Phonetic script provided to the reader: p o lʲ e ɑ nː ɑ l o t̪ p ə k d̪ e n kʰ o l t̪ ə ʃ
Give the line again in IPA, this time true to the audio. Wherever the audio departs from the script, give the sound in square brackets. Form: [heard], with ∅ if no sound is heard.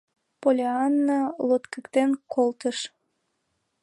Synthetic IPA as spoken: p o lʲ e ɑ nː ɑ l o t̪ [k] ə k [t̪] e n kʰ o l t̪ ə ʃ